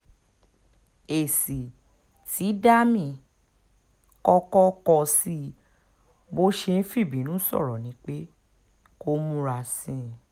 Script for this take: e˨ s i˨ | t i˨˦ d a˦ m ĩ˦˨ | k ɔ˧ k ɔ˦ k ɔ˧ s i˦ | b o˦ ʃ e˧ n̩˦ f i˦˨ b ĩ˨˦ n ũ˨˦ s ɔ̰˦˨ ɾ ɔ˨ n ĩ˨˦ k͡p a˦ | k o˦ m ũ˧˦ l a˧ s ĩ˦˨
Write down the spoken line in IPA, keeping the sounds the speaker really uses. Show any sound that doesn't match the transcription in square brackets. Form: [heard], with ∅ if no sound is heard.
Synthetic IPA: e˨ s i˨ | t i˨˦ d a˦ m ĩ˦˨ | k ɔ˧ k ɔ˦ k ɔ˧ s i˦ | b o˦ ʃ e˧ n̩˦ f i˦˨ b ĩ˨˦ n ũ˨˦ s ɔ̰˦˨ ɾ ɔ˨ n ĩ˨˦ k͡p [e˦] | k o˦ m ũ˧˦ [ɾ] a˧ s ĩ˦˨